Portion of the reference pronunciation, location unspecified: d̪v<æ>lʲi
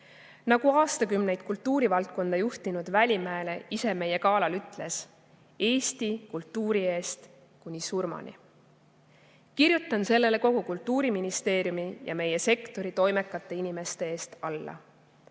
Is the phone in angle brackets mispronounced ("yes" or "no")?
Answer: no